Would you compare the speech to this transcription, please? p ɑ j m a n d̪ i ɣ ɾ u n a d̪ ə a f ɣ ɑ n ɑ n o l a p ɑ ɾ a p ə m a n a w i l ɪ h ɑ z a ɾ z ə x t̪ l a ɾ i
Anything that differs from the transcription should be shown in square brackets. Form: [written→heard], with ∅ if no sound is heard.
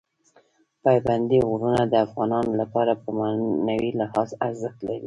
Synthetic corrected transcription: p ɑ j [m→b] a n d̪ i ɣ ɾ u n a d̪ ə a f ɣ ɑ n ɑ n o l a p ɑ ɾ a p ə m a n a w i l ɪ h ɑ z a ɾ z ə x t̪ l a ɾ i